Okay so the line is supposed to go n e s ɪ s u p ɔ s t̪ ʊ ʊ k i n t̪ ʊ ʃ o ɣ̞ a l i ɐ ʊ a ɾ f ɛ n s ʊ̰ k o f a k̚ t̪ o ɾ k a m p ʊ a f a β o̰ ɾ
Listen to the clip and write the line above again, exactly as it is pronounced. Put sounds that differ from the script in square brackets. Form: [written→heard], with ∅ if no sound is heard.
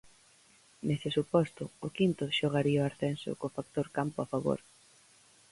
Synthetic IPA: n e s ɪ s u p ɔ s t̪ ʊ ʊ k i n t̪ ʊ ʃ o ɣ̞ a [l→ɾ] i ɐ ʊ a ɾ [f→θ] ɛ n s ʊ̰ k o f a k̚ t̪ o ɾ k a m p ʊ a f a β o̰ ɾ

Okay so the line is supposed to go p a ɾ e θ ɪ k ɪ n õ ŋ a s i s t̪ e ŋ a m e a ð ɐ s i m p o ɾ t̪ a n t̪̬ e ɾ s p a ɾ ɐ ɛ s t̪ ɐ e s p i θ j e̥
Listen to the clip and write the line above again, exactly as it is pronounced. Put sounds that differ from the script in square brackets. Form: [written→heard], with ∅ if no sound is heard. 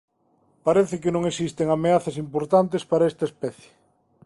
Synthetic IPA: p a ɾ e θ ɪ k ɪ n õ ŋ [a→e] s i s t̪ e ŋ a m e a [ð→θ] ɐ s i m p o ɾ t̪ a n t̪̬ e [ɾ→∅] s p a ɾ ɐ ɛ s t̪ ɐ e s p [i→ɛ] θ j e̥

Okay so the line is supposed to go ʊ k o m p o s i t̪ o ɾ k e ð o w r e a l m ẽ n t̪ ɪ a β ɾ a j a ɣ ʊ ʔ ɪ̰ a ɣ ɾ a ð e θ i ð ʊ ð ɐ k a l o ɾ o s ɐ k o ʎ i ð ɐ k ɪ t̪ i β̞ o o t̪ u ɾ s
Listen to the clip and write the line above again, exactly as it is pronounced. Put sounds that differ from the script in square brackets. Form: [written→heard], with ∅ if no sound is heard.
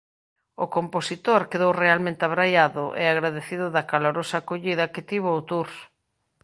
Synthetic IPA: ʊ k o m p o s i t̪ o ɾ k e ð o w r e a l m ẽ n t̪ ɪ a β ɾ a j a [ɣ→ð] ʊ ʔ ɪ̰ a ɣ ɾ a ð e θ i ð ʊ ð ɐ k a l o ɾ o s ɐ k o ʎ i ð ɐ k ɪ t̪ i β̞ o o t̪ u ɾ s

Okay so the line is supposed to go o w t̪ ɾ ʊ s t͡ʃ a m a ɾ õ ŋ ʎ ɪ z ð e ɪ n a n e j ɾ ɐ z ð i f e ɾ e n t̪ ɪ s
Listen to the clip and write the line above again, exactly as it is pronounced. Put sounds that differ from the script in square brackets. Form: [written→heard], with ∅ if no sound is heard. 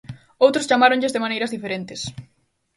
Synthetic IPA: o w t̪ ɾ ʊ s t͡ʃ a m a ɾ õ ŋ ʎ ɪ z ð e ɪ [n→m] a n e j ɾ ɐ z ð i f e ɾ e n t̪ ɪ s

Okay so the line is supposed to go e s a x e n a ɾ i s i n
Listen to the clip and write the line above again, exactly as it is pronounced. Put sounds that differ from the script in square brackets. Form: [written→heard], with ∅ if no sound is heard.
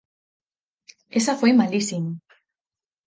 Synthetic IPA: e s a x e [n→m] a [ɾ→l] i s i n

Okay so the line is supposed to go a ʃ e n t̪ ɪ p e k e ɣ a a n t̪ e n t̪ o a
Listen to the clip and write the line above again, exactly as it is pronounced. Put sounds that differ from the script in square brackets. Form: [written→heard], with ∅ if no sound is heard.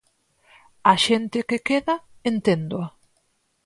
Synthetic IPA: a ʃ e n t̪ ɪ [p→k] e k e [ɣ→ð] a [a→e] n t̪ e n [t̪→d̪] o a

